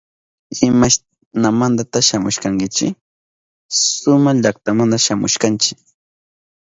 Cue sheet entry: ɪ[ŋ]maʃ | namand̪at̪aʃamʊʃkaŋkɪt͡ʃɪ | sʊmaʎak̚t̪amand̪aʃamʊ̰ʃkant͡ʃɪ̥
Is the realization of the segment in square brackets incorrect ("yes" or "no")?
yes